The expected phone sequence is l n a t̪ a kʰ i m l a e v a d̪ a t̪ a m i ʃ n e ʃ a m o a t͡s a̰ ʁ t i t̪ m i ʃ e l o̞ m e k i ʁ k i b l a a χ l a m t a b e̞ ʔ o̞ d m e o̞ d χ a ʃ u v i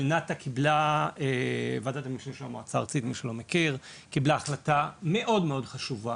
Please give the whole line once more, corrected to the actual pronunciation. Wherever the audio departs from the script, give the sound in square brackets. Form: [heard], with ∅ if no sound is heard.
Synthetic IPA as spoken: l n a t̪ a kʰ i [b] l a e v a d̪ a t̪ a m i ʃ n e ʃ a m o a t͡s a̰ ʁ [t͡s] i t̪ m i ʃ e l o̞ m e k i ʁ k i b l a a χ l a [∅] t a [m] e̞ ʔ o̞ d m e o̞ d χ a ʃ u v [a]